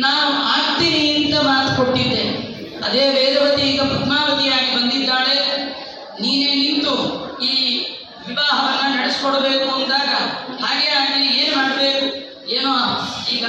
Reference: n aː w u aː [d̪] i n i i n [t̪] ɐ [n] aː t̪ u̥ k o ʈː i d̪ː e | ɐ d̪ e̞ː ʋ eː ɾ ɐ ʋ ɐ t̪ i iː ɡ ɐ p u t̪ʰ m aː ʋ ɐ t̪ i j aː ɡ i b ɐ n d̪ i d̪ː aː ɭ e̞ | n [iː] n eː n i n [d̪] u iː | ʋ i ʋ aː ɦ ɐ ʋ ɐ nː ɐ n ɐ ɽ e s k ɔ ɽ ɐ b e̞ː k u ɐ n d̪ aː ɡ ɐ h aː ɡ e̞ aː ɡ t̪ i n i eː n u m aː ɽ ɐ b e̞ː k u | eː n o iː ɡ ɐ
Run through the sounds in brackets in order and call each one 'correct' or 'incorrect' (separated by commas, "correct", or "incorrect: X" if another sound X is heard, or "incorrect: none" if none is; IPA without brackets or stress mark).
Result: incorrect: t̪, correct, incorrect: m, correct, incorrect: t̪